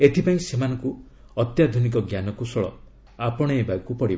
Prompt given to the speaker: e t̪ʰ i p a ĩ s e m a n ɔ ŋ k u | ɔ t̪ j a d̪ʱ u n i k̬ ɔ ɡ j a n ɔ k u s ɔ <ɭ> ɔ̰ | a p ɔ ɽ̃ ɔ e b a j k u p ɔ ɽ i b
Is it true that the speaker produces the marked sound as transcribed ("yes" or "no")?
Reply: yes